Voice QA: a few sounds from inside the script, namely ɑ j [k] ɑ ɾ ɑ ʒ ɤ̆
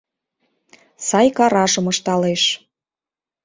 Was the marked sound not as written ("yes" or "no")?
no